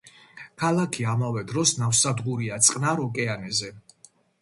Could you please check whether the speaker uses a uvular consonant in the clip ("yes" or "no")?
yes